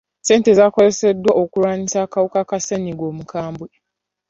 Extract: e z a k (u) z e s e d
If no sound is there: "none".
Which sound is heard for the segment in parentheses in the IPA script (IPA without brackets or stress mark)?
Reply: o